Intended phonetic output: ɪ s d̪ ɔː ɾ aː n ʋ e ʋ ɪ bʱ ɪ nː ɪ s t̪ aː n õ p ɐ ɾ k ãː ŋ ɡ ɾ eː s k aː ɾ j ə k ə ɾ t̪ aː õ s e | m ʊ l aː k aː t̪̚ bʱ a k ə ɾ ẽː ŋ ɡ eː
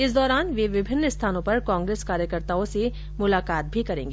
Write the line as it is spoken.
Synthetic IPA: ɪ s d̪ ɔː ɾ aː n ʋ e ʋ ɪ bʱ ɪ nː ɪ s t̪ʰ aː n õ p ɐ ɾ k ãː ŋ ɡ ɾ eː s k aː ɾ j ə k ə ɾ t̪ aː õ s e | m ʊ l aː k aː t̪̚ bʱ i k ɐ ɾ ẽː ŋ ɡ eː